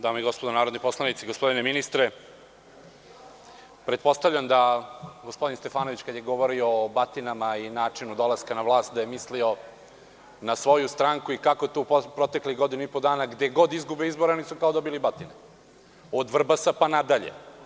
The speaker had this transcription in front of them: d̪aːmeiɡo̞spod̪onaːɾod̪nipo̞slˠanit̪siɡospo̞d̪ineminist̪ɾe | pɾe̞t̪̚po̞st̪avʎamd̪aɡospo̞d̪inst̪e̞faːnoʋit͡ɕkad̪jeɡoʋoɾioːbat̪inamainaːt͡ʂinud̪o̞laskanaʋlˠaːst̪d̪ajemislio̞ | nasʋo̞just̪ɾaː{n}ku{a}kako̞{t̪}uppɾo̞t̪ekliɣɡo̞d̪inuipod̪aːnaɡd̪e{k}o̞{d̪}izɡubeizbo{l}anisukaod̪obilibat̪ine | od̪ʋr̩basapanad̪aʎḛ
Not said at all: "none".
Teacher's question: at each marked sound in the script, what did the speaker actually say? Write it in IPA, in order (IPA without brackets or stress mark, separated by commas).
ŋ, i, t̪, ɡ, d̪, ɾ